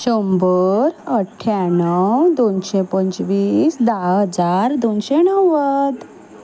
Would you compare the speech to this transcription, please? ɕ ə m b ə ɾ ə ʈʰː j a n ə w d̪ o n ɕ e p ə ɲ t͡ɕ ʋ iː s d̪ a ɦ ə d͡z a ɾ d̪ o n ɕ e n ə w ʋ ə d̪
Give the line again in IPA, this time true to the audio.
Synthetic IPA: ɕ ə m b ə ɾ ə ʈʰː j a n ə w d̪ o n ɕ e p ə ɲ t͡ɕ ʋ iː s d̪ a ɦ ə d͡z a ɾ d̪ o n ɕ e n ə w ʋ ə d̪